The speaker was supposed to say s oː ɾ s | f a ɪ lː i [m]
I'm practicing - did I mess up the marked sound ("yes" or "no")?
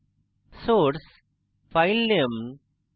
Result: no